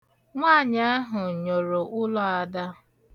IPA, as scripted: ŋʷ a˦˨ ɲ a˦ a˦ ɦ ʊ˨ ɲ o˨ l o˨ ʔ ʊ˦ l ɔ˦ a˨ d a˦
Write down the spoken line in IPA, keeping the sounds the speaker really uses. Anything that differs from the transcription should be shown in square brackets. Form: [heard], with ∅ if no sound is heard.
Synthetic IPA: ŋʷ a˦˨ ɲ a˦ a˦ ɦ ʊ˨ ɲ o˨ [ɾ] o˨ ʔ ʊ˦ l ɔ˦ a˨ d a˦

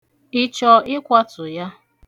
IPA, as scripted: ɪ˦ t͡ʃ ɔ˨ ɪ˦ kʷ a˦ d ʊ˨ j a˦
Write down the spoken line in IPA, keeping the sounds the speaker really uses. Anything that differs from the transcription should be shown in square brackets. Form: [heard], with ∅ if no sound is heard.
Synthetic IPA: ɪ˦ t͡ʃ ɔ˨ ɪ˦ kʷ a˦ [t] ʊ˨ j a˦

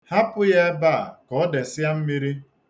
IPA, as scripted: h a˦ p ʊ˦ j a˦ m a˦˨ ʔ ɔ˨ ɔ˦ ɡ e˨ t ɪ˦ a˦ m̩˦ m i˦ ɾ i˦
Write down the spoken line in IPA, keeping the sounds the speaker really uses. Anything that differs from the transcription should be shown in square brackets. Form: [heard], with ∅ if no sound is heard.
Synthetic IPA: h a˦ p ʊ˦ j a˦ [b] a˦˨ [k] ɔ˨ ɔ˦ [d] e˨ [s] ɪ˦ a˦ m̩˦ m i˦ ɾ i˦

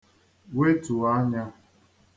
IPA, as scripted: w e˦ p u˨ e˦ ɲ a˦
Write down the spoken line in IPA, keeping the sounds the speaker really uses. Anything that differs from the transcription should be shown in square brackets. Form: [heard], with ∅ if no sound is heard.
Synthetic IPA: w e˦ [t] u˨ [a˦] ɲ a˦

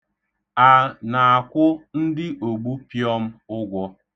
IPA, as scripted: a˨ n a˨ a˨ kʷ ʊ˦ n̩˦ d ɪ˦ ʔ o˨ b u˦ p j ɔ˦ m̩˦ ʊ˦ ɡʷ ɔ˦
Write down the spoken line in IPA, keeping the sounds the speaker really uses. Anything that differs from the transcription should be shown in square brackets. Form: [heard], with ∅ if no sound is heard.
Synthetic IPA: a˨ n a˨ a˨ kʷ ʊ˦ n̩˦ d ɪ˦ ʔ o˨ [ɡ͡b] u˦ p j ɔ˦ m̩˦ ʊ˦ ɡʷ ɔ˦

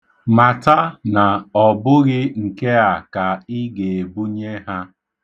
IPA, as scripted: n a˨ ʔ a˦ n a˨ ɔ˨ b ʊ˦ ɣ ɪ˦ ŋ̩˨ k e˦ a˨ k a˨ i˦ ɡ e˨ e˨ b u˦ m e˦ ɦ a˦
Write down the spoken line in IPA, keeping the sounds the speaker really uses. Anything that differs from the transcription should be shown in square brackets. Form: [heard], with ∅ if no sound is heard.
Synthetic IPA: [m] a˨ [t] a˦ n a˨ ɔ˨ b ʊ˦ ɣ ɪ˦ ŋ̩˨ k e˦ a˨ k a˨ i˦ ɡ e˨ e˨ b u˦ [ɲ] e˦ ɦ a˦

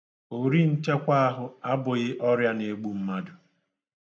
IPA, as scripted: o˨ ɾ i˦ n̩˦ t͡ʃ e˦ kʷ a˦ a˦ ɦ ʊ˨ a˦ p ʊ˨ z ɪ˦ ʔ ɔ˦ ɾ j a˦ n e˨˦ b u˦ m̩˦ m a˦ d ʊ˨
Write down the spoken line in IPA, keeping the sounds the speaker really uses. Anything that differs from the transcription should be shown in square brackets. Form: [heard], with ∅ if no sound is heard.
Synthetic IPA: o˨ ɾ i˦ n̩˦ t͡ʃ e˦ kʷ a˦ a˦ ɦ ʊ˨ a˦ [b] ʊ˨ [ɣ] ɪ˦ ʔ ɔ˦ ɾ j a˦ n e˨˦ [ɡ͡b] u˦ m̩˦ m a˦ d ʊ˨

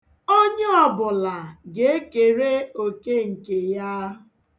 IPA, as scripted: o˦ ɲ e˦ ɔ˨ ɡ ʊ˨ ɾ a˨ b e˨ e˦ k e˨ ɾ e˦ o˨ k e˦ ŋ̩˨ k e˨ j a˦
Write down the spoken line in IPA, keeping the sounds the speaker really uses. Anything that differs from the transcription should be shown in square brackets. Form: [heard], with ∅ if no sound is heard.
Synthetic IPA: o˦ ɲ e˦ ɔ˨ [b] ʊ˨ [l] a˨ [ɡ] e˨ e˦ k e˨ ɾ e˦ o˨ k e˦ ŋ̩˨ k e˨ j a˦

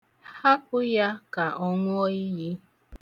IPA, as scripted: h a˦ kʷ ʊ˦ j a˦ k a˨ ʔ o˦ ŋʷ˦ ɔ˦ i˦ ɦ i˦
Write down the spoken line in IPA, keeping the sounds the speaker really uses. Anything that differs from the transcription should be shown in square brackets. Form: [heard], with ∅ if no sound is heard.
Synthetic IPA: h a˦ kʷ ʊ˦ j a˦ k a˨ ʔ [ɔ˦] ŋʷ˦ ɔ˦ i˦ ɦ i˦

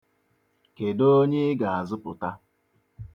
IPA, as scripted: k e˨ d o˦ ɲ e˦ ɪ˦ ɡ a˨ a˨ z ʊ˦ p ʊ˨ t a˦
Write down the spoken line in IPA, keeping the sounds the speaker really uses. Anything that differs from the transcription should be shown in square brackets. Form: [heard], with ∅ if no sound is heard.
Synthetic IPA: k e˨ d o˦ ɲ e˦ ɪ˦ ɡ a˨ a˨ z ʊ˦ p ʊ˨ t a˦

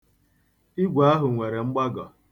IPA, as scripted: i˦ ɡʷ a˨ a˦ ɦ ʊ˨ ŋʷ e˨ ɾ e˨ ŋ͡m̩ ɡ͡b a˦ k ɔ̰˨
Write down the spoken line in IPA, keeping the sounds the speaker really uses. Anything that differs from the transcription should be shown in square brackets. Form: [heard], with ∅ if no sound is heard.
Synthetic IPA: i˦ ɡʷ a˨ a˦ ɦ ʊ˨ ŋʷ e˨ ɾ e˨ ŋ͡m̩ ɡ͡b a˦ [ɡ] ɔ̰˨

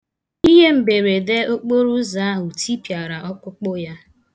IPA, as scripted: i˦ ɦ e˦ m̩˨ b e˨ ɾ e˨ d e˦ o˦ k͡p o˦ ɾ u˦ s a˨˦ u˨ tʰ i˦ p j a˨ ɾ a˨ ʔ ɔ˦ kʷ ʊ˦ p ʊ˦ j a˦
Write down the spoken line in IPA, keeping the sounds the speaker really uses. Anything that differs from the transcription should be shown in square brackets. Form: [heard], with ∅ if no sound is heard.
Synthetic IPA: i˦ ɦ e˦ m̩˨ b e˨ ɾ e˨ d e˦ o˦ k͡p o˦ ɾ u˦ [z] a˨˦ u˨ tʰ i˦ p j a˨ ɾ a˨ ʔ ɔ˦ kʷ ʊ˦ [k͡p] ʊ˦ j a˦

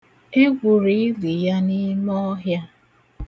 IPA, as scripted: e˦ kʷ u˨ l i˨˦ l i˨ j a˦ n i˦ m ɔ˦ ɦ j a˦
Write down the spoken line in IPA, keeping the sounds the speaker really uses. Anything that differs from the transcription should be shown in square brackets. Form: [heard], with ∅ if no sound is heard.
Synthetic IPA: e˦ [ɡʷ] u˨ [ɾ] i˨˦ l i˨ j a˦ n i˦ m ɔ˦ ɦ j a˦

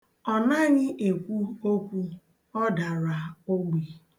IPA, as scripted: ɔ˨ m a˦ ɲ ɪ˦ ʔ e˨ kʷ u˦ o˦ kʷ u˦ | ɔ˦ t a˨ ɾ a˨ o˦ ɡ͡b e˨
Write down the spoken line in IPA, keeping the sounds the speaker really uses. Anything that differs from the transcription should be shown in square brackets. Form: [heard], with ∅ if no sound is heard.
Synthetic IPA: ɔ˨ [n] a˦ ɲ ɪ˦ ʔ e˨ kʷ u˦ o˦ kʷ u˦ | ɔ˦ [d] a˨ ɾ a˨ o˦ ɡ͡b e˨

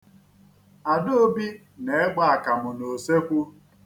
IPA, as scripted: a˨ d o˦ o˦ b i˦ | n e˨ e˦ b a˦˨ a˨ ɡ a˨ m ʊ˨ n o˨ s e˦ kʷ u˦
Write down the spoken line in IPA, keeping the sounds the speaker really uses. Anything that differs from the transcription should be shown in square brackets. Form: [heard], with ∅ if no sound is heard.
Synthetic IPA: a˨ d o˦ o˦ b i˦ | n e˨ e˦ [ɡ͡b] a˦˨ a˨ [k] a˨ m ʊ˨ n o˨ s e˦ kʷ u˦

